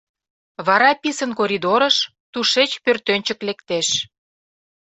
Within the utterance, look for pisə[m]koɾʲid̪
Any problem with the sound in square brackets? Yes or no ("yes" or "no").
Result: yes